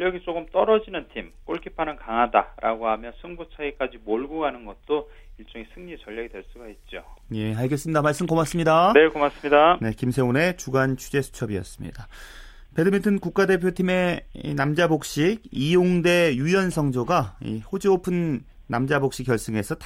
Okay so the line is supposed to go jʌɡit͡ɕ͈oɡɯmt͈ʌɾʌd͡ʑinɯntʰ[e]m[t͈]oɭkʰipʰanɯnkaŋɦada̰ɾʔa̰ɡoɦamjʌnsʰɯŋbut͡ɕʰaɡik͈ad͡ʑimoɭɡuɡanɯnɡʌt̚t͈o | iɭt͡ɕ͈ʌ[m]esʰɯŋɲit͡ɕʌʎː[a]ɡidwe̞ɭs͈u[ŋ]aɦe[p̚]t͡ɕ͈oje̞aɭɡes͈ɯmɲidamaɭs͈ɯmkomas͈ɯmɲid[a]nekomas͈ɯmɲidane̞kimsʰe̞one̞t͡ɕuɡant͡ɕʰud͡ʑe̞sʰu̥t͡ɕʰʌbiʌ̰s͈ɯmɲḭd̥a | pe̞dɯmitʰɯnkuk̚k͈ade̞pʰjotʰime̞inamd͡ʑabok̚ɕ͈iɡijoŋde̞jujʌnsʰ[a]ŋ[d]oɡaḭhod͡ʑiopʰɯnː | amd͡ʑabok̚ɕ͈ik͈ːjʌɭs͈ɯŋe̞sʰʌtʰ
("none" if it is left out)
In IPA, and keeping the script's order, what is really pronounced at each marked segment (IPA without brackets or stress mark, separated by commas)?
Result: i, k͈, ŋ, ʌ, ɡ, t̚, a, ʌ, d͡ʑ